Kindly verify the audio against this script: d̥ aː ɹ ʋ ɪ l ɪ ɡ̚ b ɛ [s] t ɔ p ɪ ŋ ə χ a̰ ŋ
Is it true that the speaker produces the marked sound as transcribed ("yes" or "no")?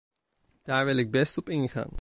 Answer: yes